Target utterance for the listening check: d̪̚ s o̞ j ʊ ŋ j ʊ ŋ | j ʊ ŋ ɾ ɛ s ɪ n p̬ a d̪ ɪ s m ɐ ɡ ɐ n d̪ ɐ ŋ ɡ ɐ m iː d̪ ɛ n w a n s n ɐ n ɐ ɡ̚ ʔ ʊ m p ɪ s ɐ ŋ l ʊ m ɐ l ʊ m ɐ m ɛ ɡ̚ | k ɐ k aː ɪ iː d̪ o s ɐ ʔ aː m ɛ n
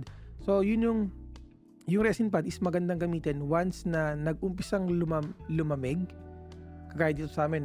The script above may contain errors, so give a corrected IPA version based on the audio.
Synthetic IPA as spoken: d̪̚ s o̞ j ʊ n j ʊ ŋ | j ʊ ŋ ɾ ɛ s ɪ n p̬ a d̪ ɪ s m ɐ ɡ ɐ n d̪ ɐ ŋ ɡ ɐ m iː t̪ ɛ n w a n s n ɐ n ɐ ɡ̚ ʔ ʊ m p ɪ s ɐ ŋ l ʊ m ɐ l ʊ m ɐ m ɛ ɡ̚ | k ɐ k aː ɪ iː t̪ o s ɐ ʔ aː m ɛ n